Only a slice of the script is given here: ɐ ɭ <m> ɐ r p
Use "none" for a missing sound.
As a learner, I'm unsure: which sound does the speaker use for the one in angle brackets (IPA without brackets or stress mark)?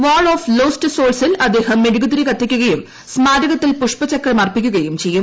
m